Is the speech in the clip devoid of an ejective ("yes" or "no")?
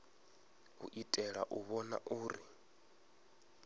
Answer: no